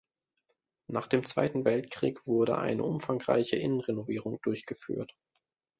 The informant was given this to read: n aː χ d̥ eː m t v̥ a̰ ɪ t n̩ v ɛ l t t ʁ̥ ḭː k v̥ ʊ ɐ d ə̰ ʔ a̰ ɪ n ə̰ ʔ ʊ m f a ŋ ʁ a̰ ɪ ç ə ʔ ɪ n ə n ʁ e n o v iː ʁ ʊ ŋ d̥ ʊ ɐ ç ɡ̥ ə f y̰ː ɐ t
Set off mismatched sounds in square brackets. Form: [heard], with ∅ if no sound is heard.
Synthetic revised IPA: n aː χ d̥ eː m [t͡s] v̥ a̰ ɪ t n̩ v ɛ l t [k] ʁ̥ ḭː k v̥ ʊ ɐ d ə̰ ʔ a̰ ɪ n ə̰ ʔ ʊ m f a ŋ ʁ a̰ ɪ ç ə ʔ ɪ n ə n ʁ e n o v iː ʁ ʊ ŋ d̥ ʊ ɐ ç ɡ̥ ə f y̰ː ɐ t